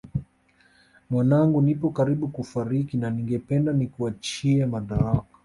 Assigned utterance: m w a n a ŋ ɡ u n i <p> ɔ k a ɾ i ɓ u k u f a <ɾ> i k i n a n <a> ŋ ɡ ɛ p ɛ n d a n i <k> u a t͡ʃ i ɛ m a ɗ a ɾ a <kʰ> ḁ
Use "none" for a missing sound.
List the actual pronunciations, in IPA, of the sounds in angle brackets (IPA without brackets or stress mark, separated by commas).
p, ɾ, i, k, k